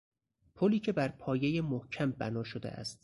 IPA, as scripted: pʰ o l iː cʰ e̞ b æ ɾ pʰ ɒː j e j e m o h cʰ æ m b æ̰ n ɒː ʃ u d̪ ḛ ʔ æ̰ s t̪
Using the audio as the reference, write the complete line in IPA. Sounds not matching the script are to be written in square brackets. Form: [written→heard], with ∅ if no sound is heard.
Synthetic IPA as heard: pʰ o l iː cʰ e̞ b æ ɾ pʰ ɒː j e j e m o h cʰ æ m b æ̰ n ɒː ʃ [u→o] d̪ ḛ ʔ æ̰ s t̪